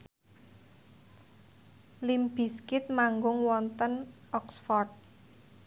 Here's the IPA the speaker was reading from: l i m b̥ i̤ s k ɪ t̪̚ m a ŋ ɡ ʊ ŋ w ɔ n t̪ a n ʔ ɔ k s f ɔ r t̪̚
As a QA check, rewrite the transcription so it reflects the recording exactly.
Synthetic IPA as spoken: l i m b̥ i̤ s k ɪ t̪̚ m a ŋ ɡ ʊ ŋ w ɔ n t̪ ə n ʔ ɔ k s f ɔ r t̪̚